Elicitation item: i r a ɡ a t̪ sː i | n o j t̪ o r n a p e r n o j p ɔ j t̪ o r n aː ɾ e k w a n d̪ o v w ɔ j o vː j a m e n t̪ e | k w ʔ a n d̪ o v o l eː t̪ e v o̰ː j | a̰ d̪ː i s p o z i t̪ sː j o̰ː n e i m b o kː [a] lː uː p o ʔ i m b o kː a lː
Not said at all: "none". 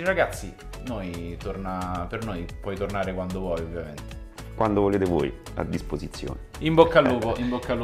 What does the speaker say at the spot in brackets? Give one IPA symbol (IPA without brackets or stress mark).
a